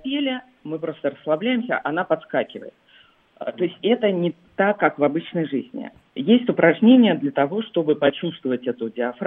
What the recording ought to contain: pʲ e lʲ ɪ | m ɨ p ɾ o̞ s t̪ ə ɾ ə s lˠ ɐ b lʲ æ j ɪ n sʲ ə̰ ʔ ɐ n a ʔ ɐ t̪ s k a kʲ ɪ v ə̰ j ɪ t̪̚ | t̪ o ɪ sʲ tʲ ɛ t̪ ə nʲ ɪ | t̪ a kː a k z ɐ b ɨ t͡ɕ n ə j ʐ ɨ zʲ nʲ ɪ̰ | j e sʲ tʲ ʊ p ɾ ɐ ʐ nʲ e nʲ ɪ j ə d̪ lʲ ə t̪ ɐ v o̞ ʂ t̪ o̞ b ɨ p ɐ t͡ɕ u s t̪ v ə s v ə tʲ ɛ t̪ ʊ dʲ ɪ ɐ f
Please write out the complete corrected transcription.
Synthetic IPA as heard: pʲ e lʲ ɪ | m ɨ p ɾ o̞ s t̪ ə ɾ ə s lˠ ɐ b lʲ æ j ɪ m sʲ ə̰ ʔ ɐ n a p ɐ t̪ s k a kʲ ɪ v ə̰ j ɪ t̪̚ | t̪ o ɪ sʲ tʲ ɛ t̪ ə nʲ ɪ | t̪ a kː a k v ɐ b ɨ t͡ɕ n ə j ʐ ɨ zʲ nʲ ɪ̰ | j e sʲ tʲ ʊ p ɾ ɐ ʐ nʲ e nʲ ɪ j ə d̪ lʲ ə t̪ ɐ v o̞ ʂ t̪ o̞ b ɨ p ɐ t͡ɕ u s t̪ v ə v ə tʲ ɛ t̪ ʊ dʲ ɪ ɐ f